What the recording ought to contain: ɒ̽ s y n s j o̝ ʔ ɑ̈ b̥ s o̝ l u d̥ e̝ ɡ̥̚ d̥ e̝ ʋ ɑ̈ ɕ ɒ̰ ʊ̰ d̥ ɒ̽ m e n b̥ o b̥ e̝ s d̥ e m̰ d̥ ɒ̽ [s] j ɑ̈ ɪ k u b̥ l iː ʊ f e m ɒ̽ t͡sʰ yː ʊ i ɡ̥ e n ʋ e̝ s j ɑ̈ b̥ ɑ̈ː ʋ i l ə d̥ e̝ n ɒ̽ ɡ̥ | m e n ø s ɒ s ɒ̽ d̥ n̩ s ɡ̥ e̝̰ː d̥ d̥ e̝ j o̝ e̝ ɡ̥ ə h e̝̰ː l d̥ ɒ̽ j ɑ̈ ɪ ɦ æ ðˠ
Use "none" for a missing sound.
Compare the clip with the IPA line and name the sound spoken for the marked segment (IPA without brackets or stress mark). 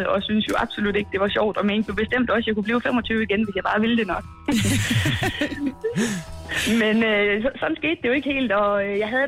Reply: s